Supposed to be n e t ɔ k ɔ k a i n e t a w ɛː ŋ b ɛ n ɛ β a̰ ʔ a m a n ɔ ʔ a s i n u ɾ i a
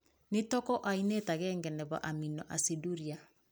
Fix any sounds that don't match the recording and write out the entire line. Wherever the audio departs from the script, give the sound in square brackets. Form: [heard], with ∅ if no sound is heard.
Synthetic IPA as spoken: n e t ɔ k ɔ [ʔ] a i n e t a [ɣ] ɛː ŋ [ɡ] ɛ n ɛ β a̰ ʔ a m [i] n ɔ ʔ a s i [d] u ɾ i a